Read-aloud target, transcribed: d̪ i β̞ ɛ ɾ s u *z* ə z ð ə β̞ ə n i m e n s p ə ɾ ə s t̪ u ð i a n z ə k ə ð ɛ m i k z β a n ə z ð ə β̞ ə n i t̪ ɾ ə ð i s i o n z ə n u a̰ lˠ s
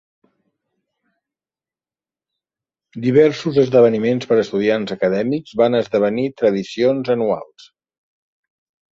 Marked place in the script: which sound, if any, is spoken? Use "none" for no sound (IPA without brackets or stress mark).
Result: z